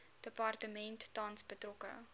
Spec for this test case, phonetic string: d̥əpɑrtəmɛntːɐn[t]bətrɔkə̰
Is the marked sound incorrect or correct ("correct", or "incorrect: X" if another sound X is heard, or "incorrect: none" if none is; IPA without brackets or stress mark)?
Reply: incorrect: s